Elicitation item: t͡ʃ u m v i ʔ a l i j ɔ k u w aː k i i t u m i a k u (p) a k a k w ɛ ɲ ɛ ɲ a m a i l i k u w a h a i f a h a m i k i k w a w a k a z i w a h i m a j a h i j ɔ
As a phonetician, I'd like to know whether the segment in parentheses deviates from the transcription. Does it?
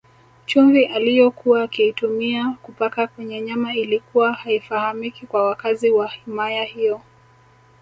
no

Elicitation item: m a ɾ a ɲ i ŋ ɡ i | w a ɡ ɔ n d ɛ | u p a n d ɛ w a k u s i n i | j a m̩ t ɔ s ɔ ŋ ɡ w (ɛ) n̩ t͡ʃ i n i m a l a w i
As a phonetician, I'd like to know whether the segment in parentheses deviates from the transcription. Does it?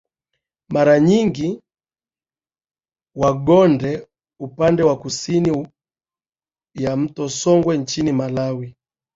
no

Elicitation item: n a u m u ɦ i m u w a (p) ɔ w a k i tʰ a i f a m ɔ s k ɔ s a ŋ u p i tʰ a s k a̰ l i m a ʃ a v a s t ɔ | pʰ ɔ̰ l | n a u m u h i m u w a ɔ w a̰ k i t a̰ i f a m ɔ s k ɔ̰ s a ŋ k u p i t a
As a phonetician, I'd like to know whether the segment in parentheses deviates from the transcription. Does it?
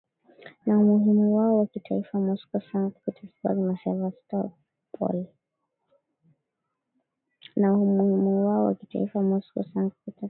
yes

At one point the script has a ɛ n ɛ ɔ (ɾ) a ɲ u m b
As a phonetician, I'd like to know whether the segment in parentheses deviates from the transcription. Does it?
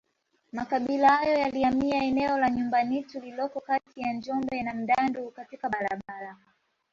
yes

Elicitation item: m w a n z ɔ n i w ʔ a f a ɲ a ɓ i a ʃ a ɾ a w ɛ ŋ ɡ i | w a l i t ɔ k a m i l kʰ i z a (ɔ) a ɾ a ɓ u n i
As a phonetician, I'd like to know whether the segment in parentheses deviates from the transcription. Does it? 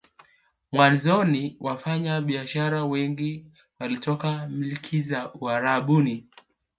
yes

